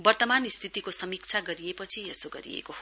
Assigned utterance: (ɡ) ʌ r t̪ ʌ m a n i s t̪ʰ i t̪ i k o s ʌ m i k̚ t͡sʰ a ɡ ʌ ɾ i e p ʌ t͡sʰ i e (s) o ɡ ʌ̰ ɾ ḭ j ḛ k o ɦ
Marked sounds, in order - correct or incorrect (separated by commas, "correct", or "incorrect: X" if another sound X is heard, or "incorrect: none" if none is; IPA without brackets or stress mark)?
incorrect: b, correct